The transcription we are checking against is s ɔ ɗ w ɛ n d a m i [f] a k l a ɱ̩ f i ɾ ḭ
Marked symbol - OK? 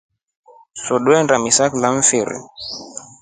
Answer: no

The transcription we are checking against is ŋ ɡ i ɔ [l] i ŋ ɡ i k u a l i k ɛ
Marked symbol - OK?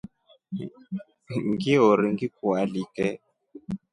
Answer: no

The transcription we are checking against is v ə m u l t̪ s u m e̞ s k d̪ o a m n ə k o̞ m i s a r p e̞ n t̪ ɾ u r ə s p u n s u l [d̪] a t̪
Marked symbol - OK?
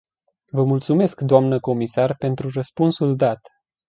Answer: yes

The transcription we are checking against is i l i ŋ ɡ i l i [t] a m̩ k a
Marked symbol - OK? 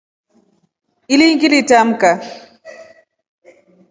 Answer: yes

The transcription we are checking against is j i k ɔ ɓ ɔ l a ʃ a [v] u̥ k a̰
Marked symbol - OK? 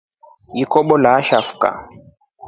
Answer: no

